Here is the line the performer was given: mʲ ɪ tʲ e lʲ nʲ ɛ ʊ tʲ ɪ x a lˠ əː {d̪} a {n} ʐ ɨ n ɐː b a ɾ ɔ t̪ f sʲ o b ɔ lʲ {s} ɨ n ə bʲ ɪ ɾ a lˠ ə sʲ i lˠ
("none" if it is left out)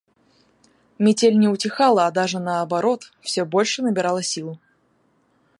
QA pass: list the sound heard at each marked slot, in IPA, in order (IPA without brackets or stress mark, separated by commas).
d̪, none, ʂ